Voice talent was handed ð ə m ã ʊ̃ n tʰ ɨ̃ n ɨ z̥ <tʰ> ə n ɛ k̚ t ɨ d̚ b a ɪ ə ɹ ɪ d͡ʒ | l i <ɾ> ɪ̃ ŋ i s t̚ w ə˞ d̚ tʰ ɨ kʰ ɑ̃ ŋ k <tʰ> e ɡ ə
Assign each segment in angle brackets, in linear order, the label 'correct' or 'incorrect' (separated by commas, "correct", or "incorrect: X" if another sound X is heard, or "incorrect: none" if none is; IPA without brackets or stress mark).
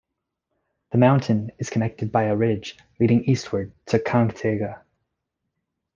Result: incorrect: kʰ, correct, correct